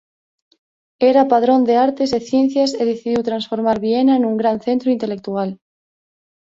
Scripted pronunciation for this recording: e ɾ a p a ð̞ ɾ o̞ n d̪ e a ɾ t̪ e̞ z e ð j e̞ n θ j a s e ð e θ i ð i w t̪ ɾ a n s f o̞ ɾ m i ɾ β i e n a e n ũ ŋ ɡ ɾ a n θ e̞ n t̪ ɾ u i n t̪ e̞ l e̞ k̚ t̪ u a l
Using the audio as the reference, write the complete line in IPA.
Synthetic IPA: e ɾ a p a ð̞ ɾ o̞ n d̪ e a ɾ t̪ e̞ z e θ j e̞ n θ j a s e ð e θ i ð i w t̪ ɾ a n s f o̞ ɾ m a ɾ β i e n a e n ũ ŋ ɡ ɾ a n θ e̞ n t̪ ɾ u i n t̪ e̞ l e̞ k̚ t̪ u a l